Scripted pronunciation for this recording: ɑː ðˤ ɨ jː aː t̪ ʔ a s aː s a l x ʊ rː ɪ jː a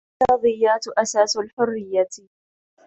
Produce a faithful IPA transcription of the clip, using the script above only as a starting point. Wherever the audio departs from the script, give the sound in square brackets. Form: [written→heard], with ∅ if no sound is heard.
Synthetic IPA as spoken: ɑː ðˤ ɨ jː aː t̪ ʔ a s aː s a l [x→ħ] ʊ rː ɪ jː a